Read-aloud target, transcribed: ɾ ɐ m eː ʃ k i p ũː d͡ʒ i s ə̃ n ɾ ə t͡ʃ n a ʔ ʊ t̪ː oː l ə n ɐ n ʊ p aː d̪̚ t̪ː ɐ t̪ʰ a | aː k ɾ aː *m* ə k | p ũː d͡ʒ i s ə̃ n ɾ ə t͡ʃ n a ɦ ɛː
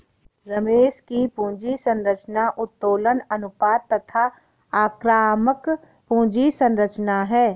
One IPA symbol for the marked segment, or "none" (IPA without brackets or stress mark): m